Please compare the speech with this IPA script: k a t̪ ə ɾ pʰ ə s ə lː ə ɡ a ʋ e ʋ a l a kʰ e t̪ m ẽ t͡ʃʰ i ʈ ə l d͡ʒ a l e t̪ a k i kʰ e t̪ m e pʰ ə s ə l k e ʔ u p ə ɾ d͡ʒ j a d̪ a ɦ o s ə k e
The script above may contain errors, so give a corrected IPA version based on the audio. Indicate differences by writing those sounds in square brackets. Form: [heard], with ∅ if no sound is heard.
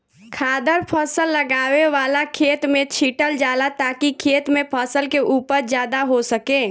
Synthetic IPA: [kʰ] a [d̪] ə ɾ pʰ ə s ə lː ə ɡ a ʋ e ʋ a l a kʰ e t̪ m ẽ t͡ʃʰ i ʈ ə l d͡ʒ a l [a] t̪ a k i kʰ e t̪ m e pʰ ə s ə l k e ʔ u p ə ɾ d͡ʒ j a d̪ a ɦ o s ə k e